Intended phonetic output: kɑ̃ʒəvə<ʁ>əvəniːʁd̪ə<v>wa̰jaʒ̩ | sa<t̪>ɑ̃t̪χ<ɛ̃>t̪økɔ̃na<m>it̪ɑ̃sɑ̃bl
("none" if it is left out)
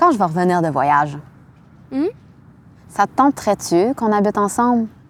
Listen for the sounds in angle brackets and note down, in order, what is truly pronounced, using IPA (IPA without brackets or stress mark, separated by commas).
ʁ, v, t̪, ɛ, b